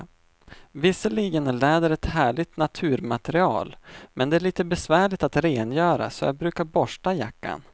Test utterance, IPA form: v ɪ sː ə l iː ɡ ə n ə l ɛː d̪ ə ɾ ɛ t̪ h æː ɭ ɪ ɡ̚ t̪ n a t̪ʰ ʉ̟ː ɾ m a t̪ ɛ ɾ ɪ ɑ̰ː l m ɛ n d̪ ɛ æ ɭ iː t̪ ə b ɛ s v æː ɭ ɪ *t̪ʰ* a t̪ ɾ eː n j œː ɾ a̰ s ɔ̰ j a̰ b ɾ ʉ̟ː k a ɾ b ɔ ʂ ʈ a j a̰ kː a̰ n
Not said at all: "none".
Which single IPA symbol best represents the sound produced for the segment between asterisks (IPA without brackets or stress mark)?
t̪